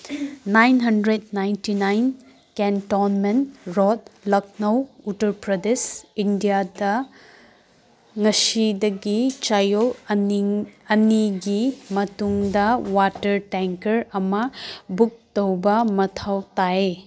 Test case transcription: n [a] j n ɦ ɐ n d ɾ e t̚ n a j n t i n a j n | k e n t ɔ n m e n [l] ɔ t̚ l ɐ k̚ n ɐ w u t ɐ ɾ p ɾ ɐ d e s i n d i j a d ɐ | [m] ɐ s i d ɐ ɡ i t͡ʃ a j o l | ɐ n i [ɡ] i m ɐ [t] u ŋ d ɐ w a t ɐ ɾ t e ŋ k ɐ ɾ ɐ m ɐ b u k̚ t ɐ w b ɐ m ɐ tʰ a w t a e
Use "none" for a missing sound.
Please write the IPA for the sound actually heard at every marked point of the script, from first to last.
a, ɾ, ŋ, ɡ, t

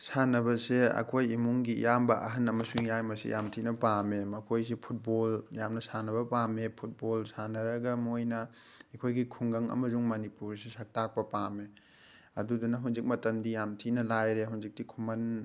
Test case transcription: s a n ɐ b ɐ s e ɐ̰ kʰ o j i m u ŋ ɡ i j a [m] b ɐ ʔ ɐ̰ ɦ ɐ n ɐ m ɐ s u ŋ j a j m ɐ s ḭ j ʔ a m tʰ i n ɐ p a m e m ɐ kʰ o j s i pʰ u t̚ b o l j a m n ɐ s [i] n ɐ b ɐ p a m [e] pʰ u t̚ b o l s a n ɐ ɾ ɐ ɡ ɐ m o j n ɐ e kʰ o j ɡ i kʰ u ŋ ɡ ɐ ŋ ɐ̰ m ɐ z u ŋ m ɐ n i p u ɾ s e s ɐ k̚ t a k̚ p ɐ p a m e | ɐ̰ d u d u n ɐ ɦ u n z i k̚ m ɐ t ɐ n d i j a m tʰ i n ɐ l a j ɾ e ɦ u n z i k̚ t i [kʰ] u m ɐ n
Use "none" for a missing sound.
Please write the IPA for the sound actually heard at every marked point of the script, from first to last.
m, a, e, kʰ

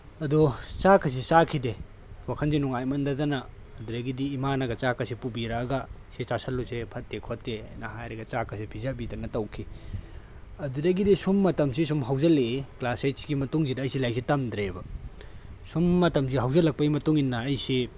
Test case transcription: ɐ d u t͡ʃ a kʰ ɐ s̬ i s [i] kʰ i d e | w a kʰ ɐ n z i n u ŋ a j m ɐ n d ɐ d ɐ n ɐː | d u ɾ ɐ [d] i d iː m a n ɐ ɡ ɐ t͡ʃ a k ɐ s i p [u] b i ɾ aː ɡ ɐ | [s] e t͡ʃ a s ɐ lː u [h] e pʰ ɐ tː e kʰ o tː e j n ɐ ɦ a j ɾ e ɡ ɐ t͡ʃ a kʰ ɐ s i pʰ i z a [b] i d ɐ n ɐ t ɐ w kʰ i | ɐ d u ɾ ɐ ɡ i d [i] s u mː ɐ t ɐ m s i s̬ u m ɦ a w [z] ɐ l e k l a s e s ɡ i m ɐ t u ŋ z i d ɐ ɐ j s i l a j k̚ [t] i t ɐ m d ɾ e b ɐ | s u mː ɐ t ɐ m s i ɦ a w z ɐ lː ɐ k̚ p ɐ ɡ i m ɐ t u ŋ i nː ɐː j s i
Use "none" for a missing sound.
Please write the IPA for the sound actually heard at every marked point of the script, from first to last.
a, ɡ, u, s, s, b, i, z, s

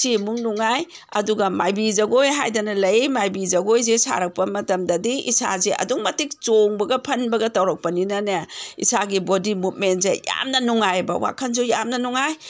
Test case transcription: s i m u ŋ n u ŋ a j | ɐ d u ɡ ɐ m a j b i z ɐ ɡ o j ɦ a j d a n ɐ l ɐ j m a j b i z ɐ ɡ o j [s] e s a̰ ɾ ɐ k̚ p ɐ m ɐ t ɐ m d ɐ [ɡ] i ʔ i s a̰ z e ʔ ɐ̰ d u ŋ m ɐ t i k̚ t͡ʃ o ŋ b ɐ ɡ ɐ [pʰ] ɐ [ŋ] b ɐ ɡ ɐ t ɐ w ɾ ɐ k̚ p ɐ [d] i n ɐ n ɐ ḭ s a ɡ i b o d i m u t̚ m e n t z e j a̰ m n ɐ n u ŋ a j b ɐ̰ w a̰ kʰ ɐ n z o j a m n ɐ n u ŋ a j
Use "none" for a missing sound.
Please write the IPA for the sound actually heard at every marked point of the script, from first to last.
z, d, pʰ, n, n

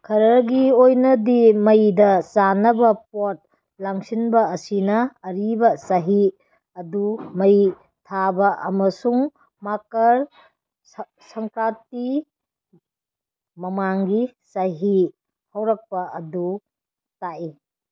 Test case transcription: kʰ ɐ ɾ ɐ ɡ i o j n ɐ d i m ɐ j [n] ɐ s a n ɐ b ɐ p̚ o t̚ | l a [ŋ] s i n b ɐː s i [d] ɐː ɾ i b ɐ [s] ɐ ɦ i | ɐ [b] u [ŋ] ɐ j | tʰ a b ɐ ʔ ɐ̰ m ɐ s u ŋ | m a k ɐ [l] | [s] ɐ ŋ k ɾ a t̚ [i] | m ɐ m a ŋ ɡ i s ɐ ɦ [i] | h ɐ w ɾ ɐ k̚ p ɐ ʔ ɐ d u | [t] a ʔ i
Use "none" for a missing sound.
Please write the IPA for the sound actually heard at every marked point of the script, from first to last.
d, ŋ, n, s, d, m, ɾ, s, i, i, t

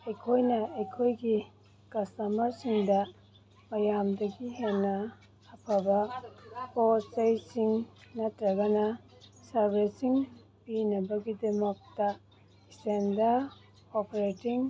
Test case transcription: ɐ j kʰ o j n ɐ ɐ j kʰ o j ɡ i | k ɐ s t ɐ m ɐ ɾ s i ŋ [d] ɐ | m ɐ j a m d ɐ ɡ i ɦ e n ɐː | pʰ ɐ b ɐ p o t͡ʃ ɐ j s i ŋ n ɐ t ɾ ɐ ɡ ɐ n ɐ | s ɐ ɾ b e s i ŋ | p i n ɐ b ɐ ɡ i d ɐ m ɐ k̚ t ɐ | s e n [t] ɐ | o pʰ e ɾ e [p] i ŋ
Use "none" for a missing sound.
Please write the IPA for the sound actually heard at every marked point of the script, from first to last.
d, d, t

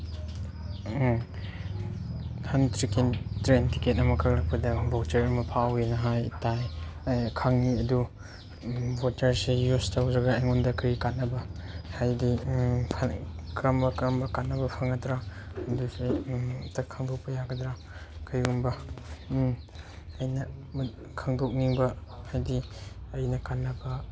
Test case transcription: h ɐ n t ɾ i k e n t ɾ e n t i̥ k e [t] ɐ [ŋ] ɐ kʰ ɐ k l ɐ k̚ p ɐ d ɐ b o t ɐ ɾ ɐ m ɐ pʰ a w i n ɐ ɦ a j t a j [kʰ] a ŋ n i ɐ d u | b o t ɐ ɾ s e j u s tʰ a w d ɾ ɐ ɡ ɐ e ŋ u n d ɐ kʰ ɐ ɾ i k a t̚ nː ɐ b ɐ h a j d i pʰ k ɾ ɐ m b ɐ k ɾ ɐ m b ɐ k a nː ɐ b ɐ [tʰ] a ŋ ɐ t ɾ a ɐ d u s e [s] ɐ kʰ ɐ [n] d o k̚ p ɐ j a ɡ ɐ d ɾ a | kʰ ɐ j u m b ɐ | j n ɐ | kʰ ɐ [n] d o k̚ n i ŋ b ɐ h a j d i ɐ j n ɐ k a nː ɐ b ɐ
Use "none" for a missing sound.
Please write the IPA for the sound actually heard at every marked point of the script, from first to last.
t, m, kʰ, pʰ, t, ŋ, ŋ

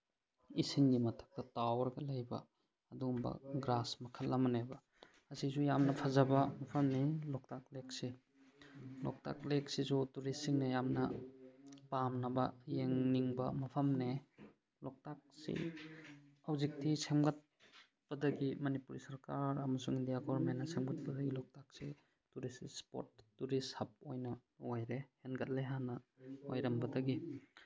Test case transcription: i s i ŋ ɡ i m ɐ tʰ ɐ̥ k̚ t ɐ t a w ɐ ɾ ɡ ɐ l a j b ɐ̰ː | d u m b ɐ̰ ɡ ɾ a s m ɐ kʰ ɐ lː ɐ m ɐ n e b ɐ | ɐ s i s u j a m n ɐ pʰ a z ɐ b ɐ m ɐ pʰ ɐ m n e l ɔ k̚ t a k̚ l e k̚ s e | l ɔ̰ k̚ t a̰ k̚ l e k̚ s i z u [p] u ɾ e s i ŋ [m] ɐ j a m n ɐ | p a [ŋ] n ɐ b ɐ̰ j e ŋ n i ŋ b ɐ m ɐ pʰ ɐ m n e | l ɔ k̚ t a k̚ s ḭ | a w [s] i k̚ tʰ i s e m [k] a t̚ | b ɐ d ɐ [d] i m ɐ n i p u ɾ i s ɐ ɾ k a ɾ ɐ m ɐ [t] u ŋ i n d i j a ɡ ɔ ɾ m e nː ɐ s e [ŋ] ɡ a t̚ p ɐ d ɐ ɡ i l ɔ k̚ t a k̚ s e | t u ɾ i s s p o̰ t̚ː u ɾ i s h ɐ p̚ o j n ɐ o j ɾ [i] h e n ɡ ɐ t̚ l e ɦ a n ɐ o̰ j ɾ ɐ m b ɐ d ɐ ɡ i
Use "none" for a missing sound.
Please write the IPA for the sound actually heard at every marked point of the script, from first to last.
t, n, m, z, ɡ, ɡ, s, m, e

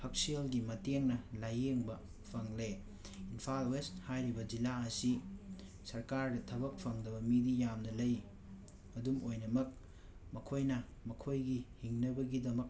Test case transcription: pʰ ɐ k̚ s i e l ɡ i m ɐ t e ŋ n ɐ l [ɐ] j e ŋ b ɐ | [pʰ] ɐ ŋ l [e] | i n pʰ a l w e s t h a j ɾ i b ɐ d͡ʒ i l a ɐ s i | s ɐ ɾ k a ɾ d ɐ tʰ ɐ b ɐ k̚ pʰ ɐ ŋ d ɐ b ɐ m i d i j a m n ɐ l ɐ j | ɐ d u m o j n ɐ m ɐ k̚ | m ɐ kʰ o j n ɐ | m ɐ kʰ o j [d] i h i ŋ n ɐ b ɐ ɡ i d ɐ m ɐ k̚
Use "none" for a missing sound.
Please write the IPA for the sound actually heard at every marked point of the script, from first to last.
a, pʰ, e, ɡ

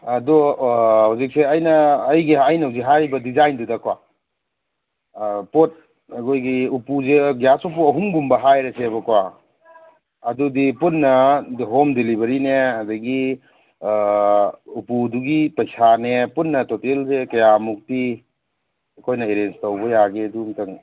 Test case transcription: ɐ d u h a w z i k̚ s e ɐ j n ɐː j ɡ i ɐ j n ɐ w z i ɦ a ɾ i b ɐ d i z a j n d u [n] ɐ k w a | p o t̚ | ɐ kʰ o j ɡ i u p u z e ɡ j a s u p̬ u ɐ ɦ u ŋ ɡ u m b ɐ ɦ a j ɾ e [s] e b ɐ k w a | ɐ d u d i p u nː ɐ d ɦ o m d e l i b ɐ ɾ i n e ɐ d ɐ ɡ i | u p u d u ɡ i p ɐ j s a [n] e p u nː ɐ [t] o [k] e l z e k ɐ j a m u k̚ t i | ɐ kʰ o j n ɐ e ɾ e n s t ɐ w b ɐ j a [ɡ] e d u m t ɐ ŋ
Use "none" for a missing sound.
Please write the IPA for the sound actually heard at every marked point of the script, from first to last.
d, s, n, t, t, ɡ

